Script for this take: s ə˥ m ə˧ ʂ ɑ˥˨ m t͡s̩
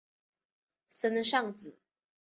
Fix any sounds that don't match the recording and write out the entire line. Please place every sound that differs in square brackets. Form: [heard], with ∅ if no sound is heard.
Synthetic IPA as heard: s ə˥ [n] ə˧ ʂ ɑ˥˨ [ŋ] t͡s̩